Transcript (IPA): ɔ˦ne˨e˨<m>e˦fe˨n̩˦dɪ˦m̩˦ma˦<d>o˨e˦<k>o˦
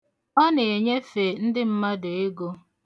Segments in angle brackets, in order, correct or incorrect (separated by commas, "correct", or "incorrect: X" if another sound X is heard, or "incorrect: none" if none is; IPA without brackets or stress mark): incorrect: ɲ, correct, incorrect: ɡ